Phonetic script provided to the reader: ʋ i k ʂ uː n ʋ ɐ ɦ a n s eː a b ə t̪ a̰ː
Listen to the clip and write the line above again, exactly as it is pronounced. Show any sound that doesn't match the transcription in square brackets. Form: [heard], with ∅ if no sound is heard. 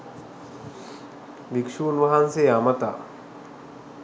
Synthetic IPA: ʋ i k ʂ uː n ʋ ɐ ɦ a n s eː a [m] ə t̪ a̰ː